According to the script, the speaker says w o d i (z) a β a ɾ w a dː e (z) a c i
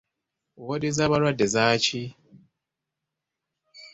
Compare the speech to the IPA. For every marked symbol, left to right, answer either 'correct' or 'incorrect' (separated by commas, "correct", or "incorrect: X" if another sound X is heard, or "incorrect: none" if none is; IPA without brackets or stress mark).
correct, correct